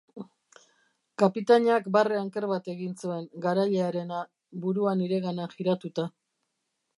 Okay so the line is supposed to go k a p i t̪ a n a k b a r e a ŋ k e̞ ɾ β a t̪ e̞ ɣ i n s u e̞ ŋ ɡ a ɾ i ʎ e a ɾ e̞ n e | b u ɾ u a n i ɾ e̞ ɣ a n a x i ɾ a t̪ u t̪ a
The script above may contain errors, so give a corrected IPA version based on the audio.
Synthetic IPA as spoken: k a p i t̪ a ɲ a k b a r e a ŋ k e̞ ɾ β a t̪ e̞ ɣ i n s u e̞ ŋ ɡ a ɾ a ʎ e a ɾ e̞ n a | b u ɾ u a n i ɾ e̞ ɣ a n a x i ɾ a t̪ u t̪ a